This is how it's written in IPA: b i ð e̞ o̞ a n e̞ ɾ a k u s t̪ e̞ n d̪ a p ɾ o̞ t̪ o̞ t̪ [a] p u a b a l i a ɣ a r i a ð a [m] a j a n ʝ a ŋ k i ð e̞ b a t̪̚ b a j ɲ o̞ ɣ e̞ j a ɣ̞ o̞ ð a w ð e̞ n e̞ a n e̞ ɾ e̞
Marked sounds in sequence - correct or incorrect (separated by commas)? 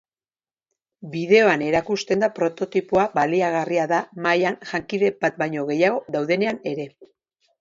incorrect, correct